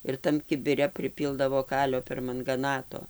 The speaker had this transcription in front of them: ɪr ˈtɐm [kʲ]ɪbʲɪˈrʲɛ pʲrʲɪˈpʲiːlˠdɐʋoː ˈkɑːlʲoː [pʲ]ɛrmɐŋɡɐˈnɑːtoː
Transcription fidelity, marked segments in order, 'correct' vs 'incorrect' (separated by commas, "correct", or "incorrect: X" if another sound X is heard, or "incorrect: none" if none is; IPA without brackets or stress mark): correct, correct